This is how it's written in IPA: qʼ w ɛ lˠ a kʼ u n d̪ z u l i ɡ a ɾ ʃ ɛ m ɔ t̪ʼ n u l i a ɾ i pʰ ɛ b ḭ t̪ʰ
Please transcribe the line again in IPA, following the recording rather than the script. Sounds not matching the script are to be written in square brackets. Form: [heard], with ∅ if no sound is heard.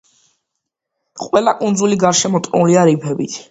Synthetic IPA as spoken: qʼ w ɛ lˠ a kʼ u n d̪ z u l i ɡ a ɾ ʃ ɛ m ɔ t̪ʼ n u l i a ɾ i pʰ ɛ b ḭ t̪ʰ